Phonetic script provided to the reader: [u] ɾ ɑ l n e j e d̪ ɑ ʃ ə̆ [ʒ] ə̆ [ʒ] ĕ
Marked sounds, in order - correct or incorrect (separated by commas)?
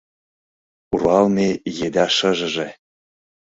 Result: correct, correct, correct